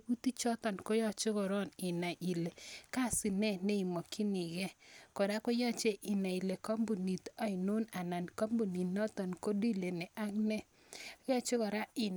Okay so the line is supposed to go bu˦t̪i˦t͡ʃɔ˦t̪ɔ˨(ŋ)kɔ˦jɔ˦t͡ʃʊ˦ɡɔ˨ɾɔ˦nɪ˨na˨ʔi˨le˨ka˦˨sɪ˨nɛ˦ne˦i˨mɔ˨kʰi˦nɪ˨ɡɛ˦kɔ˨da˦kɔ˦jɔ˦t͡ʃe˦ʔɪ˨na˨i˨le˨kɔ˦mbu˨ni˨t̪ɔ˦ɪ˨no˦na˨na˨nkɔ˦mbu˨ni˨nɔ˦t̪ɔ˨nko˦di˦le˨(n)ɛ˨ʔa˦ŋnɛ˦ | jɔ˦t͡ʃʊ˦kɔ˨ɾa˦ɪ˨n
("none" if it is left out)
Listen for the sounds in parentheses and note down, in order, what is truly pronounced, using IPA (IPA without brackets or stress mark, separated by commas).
n, n